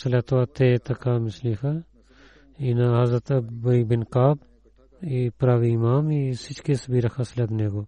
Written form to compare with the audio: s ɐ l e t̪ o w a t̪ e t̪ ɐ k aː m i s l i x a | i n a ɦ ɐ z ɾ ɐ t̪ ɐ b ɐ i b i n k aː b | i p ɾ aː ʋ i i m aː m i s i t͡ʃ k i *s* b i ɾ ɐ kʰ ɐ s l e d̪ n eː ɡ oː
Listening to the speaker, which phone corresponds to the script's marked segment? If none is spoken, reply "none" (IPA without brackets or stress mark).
s